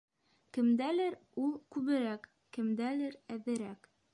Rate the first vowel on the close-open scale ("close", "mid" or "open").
mid